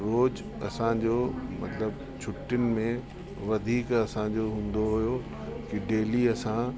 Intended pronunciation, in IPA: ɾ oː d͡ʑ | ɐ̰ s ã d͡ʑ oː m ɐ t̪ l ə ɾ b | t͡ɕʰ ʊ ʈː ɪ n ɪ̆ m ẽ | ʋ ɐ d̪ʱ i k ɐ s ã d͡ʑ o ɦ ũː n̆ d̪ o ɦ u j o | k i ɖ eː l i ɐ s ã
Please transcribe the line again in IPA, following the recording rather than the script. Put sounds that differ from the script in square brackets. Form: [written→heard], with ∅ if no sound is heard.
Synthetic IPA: ɾ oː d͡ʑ | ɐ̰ s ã d͡ʑ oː m ɐ t̪ l ə [ɾ→∅] b | t͡ɕʰ ʊ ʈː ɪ n ɪ̆ m ẽ | ʋ ɐ d̪ʱ [i→iː] k ɐ s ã d͡ʑ o ɦ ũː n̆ d̪ o ɦ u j o | k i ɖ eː l i ɐ s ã